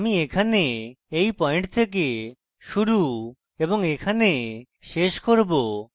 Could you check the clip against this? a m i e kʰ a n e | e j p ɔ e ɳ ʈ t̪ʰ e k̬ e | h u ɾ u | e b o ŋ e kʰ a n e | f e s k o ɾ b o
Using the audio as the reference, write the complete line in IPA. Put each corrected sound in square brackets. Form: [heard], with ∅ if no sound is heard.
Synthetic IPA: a m i e kʰ a n e | e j p ɔ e ɳ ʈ t̪ʰ e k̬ e | [ʃ] u ɾ u | e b o ŋ e kʰ a n e | [ʃ] e [ʃ] k o ɾ b o